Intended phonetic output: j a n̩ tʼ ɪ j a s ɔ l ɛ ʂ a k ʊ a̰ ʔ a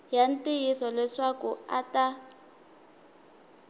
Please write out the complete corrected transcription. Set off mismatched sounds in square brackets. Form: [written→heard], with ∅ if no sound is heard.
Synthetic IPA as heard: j a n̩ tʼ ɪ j [a→i] s ɔ l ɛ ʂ a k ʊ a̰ [ʔ→t] a